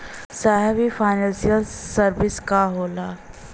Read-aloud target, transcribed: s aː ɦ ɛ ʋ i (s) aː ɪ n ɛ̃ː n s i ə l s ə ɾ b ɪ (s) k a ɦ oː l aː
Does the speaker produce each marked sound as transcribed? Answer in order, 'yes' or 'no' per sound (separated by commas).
no, yes